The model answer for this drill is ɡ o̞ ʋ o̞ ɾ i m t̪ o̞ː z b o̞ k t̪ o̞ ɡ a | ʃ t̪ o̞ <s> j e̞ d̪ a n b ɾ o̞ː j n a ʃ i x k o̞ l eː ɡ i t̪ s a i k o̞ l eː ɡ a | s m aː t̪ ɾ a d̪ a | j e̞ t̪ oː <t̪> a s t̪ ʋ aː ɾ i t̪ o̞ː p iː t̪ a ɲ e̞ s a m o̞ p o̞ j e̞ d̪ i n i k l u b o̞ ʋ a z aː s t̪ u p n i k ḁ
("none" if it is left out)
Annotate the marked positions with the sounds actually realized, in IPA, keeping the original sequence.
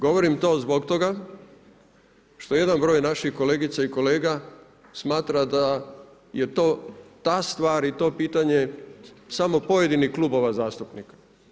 none, t̪

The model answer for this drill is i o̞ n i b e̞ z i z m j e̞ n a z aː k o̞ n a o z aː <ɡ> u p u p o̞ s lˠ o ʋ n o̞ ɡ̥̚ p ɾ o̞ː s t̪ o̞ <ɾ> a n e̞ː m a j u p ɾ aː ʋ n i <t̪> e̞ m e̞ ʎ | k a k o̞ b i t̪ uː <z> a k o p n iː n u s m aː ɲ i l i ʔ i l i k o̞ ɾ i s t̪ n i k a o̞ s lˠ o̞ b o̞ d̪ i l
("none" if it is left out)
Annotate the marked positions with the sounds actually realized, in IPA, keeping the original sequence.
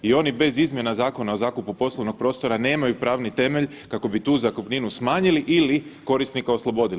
k, ɾ, t̪, z

